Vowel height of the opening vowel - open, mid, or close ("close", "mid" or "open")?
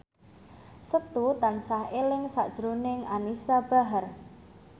mid